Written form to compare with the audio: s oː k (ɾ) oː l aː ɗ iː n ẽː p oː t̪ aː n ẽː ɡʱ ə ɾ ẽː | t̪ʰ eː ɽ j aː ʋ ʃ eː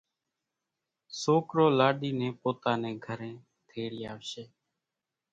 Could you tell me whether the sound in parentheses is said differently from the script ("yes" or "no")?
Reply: no